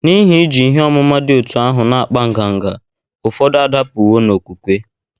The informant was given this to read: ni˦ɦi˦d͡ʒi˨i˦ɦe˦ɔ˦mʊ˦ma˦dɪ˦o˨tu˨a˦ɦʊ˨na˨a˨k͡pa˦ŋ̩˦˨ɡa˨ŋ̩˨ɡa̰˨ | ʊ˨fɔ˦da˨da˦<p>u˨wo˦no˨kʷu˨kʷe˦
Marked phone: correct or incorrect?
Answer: correct